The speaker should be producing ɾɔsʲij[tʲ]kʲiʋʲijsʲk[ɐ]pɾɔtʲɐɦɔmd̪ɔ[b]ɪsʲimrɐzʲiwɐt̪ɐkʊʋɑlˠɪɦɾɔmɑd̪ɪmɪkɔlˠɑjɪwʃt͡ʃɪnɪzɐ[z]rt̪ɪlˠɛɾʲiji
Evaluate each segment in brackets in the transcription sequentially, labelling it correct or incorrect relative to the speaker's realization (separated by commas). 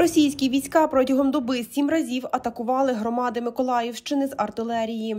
incorrect, incorrect, correct, incorrect